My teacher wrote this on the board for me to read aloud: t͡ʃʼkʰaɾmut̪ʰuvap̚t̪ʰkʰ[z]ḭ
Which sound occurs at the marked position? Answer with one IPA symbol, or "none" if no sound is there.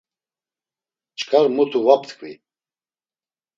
v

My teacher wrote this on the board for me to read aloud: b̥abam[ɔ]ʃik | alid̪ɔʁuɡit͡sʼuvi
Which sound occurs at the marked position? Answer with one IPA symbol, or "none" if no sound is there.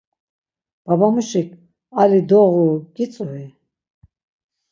u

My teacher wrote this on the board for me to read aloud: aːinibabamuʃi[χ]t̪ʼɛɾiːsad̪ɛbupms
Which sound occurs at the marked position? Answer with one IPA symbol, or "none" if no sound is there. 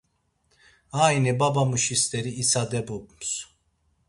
s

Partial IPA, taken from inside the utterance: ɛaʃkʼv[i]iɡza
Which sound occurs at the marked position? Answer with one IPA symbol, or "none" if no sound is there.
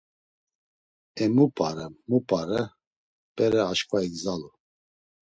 a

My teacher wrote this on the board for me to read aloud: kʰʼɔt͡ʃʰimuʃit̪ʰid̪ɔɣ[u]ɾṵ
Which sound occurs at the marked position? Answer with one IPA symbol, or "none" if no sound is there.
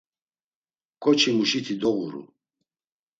u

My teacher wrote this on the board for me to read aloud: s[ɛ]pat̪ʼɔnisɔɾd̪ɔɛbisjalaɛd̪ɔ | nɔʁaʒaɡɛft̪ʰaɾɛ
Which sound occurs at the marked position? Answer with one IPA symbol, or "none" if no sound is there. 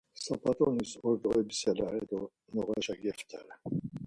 a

